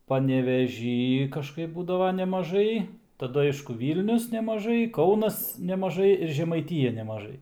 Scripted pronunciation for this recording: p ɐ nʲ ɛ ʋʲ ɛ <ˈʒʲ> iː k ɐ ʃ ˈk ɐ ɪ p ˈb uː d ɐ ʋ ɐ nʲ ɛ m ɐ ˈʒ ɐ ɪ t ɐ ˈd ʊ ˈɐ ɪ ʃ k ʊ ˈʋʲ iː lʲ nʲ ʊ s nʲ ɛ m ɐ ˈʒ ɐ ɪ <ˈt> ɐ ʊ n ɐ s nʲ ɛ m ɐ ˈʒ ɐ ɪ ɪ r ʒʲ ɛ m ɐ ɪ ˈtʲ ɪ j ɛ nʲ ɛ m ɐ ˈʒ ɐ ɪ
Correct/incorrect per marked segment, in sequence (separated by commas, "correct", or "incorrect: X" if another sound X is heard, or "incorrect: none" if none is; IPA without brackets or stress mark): correct, incorrect: k